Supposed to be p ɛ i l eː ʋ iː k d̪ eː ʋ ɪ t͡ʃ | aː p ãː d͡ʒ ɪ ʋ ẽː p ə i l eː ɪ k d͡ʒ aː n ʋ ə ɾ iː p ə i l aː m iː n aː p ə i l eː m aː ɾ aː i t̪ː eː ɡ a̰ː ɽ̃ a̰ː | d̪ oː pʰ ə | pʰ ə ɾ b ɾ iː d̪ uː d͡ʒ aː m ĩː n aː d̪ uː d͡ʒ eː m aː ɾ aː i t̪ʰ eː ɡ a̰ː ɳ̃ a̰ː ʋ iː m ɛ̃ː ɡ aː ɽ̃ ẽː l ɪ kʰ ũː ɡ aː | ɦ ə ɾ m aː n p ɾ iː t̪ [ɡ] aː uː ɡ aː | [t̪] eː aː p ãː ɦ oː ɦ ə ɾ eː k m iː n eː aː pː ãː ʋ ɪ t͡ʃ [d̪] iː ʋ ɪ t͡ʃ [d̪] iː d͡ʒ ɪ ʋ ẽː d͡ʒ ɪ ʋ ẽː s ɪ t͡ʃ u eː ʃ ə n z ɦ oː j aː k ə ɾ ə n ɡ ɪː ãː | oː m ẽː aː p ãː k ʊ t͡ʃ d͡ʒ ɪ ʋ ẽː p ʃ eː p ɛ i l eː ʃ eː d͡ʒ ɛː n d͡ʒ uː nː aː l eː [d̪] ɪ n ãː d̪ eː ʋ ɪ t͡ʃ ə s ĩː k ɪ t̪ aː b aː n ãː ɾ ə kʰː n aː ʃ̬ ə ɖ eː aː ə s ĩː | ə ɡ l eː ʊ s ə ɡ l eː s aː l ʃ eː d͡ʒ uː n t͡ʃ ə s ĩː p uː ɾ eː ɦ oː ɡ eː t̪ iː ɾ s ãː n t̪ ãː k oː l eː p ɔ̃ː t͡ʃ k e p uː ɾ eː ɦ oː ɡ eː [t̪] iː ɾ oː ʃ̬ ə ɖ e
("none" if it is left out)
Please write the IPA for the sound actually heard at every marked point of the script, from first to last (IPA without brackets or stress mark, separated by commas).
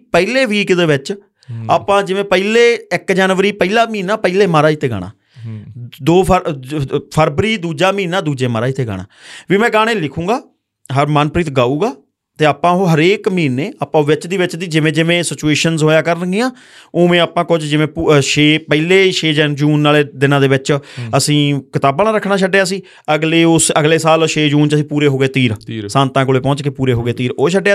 ɡ, t̪, d̪, d̪, d̪, t̪